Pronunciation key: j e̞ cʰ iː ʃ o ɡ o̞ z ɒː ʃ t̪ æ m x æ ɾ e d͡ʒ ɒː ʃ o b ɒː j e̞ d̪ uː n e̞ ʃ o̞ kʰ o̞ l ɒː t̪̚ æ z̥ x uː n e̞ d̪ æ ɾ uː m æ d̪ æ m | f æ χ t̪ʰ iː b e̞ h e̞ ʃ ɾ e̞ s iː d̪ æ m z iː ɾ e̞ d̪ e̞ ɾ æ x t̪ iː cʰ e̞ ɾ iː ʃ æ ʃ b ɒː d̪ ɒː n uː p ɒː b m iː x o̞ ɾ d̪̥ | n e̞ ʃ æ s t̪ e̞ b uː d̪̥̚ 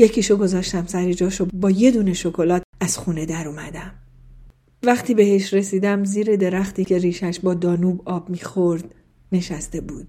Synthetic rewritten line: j e̞ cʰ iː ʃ o ɡ o̞ z ɒː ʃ t̪ æ m s æ ɾ e d͡ʒ ɒː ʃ o b ɒː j e̞ d̪ uː n e̞ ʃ o̞ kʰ o̞ l ɒː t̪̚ æ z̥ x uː n e̞ d̪ æ ɾ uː m æ d̪ æ m | v æ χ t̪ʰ iː b e̞ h e̞ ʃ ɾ e̞ s iː d̪ æ m z iː ɾ e̞ d̪ e̞ ɾ æ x t̪ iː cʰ e̞ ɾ iː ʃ æ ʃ b ɒː d̪ ɒː n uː b ɒː b m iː x o̞ ɾ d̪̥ | n e̞ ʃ æ s t̪ e̞ b uː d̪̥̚